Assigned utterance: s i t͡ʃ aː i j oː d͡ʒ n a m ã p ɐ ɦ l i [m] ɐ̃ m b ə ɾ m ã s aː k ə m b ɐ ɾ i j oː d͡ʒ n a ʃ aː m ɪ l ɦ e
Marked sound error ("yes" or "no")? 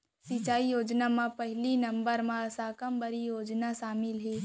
yes